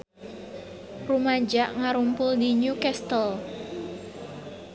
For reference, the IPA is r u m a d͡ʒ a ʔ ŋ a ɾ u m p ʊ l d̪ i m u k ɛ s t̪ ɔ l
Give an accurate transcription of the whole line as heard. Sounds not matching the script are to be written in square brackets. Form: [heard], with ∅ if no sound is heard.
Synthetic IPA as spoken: r u m a d͡ʒ a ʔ ŋ a ɾ u m p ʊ l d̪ i [ɲ] u k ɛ s t̪ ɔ l